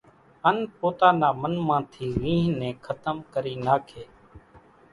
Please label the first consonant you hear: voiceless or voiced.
voiced